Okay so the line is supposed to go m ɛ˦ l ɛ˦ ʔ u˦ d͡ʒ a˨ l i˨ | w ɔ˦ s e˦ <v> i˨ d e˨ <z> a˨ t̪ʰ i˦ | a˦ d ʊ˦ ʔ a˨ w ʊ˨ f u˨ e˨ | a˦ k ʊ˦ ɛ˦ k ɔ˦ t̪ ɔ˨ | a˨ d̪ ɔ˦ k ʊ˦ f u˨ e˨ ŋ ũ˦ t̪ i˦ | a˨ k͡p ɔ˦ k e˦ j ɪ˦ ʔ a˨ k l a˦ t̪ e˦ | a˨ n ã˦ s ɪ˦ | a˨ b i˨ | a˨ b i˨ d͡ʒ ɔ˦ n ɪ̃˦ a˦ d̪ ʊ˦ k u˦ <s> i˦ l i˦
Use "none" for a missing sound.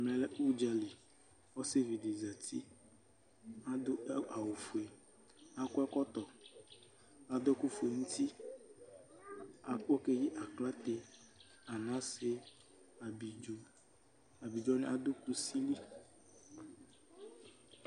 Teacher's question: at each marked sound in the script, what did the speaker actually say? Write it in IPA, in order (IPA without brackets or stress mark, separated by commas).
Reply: v, z, s